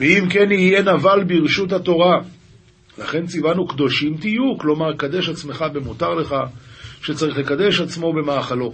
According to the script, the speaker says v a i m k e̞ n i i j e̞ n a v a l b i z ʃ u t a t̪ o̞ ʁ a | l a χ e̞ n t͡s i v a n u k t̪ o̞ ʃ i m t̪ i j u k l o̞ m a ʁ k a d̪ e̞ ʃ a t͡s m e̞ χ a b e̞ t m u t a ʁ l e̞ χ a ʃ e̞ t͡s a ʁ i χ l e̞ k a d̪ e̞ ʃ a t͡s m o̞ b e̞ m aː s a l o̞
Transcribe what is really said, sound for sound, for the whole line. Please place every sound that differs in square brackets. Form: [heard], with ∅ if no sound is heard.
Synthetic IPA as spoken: v [e] i m k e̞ n i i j e̞ n a v a l b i [ʁ] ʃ u t a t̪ o̞ ʁ a | l a χ e̞ n t͡s i v a n u k [d̪] o̞ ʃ i m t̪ i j u k l o̞ m a ʁ k a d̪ e̞ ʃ a t͡s m e̞ χ a b e̞ [∅] m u t a ʁ l e̞ χ a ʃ e̞ t͡s a ʁ i χ l e̞ k a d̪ e̞ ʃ a t͡s m o̞ b e̞ m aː [χ] a l o̞